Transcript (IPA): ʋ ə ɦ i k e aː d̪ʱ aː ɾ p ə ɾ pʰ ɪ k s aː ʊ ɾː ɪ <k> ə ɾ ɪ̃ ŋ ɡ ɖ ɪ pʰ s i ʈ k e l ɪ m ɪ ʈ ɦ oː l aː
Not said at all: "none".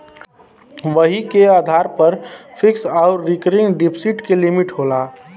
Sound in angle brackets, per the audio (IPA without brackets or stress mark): k